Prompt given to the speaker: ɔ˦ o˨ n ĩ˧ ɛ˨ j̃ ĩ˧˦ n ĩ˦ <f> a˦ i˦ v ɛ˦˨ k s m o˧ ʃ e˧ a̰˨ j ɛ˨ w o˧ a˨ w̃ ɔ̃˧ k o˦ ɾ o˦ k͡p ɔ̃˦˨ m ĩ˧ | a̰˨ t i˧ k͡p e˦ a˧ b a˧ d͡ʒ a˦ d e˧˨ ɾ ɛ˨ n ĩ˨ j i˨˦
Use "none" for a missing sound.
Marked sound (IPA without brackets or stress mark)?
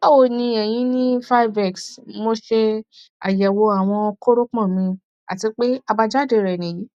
f